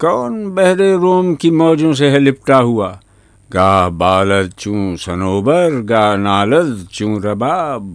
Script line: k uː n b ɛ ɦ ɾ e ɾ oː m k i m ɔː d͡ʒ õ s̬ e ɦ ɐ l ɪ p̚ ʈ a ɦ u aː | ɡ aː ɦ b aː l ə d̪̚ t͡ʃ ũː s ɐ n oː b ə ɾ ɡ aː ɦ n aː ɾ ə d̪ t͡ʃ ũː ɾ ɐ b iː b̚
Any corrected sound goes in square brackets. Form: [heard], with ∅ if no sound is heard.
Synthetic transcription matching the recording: k [ɔː] n b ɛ ɦ ɾ e ɾ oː m k i m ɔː d͡ʒ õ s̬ e ɦ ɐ l ɪ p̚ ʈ a ɦ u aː | ɡ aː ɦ b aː l ə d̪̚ t͡ʃ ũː s ɐ n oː b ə ɾ ɡ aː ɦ n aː [l] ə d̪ t͡ʃ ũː ɾ ɐ b [aː] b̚